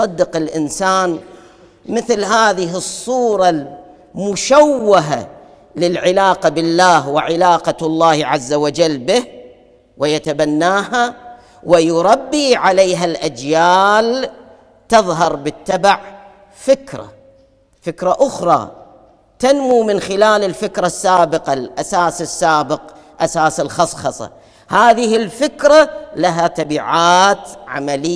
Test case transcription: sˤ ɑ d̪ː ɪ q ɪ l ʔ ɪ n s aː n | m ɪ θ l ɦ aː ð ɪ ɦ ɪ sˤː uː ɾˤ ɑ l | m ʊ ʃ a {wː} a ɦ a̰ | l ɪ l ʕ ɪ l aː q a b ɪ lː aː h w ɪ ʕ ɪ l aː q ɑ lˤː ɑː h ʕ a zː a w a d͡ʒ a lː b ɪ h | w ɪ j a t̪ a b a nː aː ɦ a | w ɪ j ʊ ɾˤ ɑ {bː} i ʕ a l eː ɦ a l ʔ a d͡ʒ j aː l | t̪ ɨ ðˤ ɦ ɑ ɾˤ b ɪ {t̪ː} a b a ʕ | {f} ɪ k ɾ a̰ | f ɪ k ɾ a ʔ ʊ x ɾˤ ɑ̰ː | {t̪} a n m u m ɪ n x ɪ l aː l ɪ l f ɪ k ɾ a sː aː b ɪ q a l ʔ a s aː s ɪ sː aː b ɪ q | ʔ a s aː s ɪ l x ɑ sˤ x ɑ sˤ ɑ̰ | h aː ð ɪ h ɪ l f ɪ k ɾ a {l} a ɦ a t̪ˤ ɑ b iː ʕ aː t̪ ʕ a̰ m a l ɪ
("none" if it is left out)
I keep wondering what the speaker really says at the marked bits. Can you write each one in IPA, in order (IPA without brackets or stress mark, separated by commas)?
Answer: wː, bː, t̪ː, f, t̪, l